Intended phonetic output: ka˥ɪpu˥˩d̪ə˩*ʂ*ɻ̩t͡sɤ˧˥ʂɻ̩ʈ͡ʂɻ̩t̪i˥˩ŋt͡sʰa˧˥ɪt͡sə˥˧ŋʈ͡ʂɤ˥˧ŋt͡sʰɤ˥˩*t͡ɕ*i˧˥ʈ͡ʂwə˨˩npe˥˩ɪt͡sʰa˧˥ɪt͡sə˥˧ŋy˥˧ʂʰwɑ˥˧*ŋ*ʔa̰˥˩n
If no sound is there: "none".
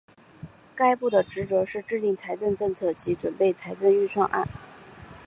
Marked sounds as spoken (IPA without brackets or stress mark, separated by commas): ʈ͡ʂ, t͡ɕ, ŋ